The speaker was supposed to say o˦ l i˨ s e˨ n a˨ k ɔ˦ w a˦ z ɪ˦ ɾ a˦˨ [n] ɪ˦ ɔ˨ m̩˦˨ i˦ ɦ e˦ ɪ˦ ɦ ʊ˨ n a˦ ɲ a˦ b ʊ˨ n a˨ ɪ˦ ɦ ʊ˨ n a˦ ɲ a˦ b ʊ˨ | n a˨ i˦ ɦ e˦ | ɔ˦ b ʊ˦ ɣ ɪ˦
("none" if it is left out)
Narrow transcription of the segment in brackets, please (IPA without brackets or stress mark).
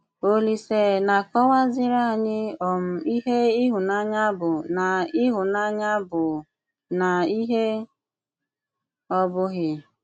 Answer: ɲ